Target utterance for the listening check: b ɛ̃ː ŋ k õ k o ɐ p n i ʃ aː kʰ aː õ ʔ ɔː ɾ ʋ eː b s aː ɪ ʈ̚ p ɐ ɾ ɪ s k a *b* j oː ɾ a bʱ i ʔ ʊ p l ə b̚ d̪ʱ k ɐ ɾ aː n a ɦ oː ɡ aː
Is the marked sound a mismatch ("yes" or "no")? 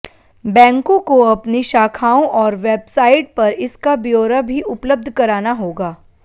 no